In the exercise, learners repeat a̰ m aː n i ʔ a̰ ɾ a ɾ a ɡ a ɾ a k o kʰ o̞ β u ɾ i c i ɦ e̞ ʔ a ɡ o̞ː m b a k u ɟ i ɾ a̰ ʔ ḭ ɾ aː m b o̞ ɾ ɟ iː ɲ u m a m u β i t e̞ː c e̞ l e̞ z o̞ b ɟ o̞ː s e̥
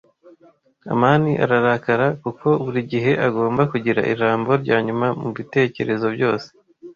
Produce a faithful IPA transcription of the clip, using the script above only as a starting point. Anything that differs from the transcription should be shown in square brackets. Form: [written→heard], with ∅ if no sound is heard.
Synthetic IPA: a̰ m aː n i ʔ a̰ ɾ a ɾ a [ɡ→k] a ɾ a k [o→u] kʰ o̞ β u ɾ i [c→ɟ] i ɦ e̞ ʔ a ɡ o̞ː m b a k u ɟ i ɾ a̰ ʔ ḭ ɾ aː m b o̞ ɾ ɟ [iː→aː] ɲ u m a m u β i t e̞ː c e̞ [l→ɾ] e̞ z o̞ b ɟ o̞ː s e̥